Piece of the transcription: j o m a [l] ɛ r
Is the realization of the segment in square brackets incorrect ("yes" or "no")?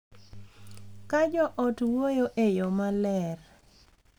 no